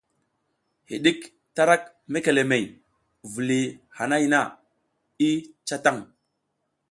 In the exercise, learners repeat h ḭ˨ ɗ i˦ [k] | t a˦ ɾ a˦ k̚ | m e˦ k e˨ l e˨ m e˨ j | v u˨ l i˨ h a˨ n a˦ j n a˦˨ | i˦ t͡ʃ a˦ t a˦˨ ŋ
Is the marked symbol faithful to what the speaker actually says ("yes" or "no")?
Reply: yes